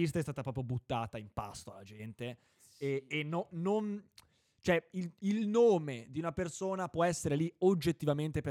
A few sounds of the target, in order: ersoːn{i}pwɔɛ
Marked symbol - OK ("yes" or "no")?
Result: no